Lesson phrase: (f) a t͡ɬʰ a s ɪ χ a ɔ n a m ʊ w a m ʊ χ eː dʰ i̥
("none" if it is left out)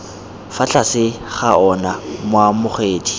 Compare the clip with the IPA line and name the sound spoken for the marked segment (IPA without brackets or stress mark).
f